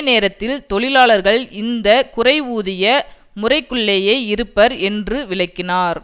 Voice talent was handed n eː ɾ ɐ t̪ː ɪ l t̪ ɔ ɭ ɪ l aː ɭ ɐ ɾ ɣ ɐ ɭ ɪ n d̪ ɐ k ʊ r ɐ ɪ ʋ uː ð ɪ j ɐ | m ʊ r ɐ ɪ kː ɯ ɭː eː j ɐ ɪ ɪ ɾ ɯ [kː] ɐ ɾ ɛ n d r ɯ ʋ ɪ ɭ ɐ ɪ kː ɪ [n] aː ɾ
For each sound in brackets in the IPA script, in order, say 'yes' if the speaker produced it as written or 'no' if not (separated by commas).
no, yes